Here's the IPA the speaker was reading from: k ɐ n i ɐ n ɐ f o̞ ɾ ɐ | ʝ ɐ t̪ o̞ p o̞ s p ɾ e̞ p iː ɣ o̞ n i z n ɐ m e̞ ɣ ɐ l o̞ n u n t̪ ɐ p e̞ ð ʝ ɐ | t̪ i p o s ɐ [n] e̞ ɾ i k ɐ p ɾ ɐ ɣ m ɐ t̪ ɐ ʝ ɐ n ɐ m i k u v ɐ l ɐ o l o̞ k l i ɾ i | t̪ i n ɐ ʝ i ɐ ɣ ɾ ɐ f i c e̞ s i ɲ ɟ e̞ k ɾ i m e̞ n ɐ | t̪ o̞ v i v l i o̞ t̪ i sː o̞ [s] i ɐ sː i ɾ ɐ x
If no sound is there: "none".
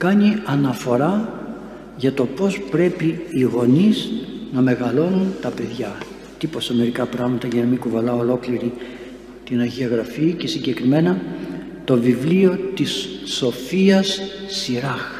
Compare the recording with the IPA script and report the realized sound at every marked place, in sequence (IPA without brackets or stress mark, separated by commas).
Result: m, f